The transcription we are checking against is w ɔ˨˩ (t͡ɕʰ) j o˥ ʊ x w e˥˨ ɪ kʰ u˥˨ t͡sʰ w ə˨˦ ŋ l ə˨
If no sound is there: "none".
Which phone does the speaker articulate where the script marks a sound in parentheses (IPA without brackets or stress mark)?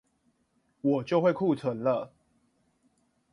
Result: t͡ɕ